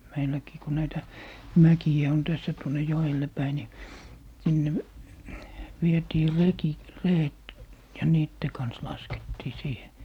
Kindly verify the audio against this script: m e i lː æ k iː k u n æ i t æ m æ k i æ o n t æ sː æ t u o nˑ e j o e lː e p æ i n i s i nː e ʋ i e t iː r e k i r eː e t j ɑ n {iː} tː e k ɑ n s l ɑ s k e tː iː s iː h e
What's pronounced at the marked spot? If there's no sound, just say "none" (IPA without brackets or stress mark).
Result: iː